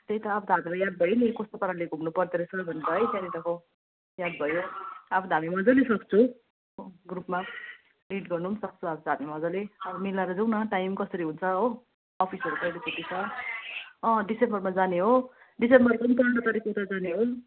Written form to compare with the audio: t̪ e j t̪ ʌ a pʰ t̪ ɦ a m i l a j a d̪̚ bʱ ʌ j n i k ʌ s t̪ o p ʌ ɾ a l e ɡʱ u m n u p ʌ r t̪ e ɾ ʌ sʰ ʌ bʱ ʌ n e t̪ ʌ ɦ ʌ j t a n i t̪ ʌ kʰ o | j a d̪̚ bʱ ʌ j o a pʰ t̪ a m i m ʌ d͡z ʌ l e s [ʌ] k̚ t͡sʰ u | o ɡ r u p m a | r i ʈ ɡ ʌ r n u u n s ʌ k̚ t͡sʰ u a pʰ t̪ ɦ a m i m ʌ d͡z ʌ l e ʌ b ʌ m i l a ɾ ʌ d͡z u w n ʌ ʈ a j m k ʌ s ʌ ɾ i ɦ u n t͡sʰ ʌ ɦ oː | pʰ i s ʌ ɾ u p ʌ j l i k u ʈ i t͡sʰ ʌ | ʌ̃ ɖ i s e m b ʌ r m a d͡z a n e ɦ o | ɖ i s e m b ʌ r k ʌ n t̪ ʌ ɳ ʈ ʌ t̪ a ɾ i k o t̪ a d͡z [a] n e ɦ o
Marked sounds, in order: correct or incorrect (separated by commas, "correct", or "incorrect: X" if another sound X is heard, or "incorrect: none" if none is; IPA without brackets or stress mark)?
correct, correct